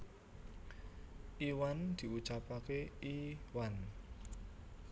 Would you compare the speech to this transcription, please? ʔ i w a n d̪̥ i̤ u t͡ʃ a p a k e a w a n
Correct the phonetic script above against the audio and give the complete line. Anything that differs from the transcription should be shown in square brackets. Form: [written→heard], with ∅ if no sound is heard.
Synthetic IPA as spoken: ʔ i w a n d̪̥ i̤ u t͡ʃ a p a k e [a→i] w a n